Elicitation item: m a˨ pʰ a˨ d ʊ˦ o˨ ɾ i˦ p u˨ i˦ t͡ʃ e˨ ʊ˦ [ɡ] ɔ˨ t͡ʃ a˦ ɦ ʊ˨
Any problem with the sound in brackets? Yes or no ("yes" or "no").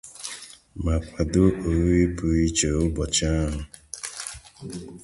yes